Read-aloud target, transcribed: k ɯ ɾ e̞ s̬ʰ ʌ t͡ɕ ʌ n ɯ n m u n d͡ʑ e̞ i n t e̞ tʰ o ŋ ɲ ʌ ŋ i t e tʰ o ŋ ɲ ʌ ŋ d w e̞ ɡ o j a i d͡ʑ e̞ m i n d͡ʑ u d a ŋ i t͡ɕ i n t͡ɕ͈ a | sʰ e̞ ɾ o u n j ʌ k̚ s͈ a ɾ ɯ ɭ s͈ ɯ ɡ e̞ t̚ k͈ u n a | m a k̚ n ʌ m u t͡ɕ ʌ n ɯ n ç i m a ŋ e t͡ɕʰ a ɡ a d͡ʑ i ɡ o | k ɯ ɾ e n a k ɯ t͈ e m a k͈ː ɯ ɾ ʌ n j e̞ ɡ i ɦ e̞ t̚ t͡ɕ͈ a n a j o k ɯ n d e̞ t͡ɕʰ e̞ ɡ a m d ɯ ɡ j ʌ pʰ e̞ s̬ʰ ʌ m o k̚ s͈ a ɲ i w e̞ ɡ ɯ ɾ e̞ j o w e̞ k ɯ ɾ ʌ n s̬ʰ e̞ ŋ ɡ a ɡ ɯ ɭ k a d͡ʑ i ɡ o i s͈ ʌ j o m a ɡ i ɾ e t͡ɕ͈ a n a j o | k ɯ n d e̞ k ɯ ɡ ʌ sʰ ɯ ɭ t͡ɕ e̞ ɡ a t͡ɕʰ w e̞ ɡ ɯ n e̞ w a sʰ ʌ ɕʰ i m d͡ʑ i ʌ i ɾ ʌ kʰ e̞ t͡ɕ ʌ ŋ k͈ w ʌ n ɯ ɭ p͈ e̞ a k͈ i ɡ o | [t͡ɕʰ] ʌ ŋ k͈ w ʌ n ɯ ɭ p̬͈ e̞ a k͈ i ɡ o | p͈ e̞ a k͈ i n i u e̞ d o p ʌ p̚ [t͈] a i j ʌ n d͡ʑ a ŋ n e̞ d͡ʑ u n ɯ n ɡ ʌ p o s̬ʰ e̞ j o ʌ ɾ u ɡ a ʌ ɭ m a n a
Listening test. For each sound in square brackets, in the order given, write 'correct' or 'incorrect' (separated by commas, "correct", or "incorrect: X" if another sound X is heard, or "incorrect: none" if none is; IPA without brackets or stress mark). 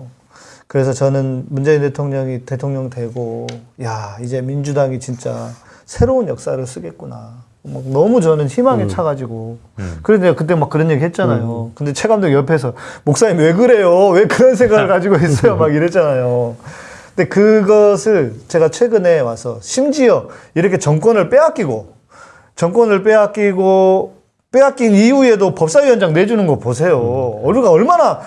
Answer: incorrect: t͡ɕ, incorrect: s͈